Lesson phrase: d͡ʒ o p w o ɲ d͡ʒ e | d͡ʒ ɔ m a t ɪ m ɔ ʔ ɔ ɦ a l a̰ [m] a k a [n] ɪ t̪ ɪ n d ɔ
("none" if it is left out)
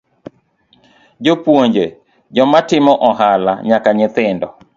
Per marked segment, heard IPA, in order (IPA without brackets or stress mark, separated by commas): ɲ, ɲ